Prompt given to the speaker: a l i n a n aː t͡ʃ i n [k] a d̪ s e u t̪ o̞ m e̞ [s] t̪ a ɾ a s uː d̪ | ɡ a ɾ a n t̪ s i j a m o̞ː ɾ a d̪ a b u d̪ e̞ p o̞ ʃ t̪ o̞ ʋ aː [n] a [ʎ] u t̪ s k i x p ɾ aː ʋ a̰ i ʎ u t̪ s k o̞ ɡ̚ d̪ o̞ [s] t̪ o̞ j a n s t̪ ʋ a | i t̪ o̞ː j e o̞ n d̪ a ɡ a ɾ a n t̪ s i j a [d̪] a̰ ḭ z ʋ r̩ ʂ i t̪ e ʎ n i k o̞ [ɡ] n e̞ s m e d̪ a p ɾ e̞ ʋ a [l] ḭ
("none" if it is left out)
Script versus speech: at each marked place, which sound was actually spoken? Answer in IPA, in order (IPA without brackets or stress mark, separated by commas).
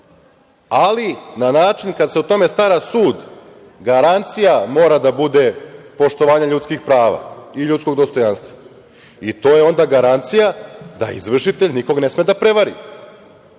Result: k, s, ɲ, ʎ, s, d̪, ɡ, ɾ